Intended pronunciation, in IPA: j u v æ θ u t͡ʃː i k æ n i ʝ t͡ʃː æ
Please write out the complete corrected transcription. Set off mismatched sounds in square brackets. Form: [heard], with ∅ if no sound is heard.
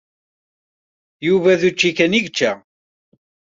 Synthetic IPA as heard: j u v æ [ð] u t͡ʃː i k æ n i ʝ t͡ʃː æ